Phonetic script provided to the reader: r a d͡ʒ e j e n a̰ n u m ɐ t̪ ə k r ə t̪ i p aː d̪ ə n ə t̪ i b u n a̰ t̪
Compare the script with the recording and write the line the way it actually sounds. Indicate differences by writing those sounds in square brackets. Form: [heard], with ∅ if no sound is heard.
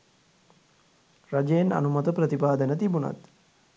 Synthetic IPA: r a d͡ʒ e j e n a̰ n u m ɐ t̪ ə [p] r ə t̪ i p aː d̪ ə n ə t̪ i b u n a̰ t̪